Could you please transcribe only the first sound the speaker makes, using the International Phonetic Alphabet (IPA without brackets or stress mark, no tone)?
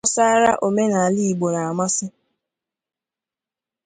s